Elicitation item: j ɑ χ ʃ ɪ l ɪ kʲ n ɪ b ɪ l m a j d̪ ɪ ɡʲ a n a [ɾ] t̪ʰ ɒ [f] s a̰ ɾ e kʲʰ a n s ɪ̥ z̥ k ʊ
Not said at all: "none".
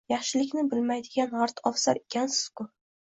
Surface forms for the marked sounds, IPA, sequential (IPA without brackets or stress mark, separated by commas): ɾ, f